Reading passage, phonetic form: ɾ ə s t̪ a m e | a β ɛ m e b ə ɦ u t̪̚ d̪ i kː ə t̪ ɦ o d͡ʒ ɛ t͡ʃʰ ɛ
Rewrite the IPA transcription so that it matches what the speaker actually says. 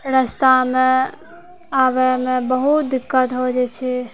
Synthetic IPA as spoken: ɾ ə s t̪ a m e | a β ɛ m e b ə ɦ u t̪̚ d̪ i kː ə t̪ ɦ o d͡ʒ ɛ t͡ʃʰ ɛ